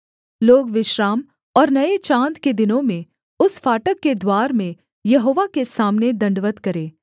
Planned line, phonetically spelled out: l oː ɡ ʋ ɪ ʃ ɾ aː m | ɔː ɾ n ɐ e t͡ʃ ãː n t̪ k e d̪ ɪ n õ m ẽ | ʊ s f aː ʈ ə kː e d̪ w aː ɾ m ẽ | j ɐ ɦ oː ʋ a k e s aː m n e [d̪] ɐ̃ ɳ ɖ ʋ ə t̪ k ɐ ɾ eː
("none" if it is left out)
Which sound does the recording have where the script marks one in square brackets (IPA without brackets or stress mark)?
d̪